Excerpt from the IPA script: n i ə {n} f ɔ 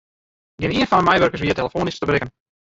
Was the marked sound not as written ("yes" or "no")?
no